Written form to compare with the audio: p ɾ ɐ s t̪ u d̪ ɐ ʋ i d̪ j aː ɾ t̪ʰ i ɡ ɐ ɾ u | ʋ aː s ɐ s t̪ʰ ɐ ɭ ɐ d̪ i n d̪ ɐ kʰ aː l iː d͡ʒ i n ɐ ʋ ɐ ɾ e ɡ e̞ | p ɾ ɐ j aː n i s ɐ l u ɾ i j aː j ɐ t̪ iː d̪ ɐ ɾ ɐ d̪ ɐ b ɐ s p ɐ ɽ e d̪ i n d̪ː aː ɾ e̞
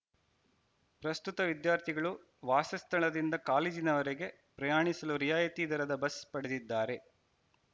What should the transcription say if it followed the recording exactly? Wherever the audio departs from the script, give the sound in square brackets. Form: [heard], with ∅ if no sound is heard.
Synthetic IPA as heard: p ɾ ɐ s t̪ u [t̪] ɐ ʋ i d̪ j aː ɾ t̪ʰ i ɡ ɐ [ɭ] u | ʋ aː s ɐ s t̪ʰ ɐ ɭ ɐ d̪ i n d̪ ɐ [k] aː l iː d͡ʒ i n ɐ ʋ ɐ ɾ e ɡ e̞ | p ɾ ɐ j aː [ɳ] i s ɐ l u ɾ i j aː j ɐ t̪ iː d̪ ɐ ɾ ɐ d̪ ɐ b ɐ s p ɐ ɽ e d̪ i [∅] d̪ː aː ɾ e̞